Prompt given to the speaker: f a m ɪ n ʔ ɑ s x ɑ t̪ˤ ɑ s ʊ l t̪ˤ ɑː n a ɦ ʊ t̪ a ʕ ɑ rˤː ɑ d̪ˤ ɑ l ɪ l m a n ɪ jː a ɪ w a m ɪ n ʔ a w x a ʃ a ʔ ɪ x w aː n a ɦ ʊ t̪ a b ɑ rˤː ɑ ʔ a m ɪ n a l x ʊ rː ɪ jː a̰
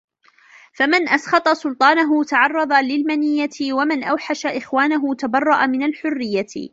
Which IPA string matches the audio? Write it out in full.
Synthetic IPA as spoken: f a m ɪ n ʔ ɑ s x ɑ t̪ˤ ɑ s ʊ l t̪ˤ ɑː n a ɦ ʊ t̪ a ʕ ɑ rˤː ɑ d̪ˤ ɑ l ɪ l m a n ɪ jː a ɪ w a m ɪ n ʔ a w ħ a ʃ a ʔ ɪ x w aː n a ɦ ʊ t̪ a b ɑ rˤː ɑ ʔ a m ɪ n a l ħ ʊ rː ɪ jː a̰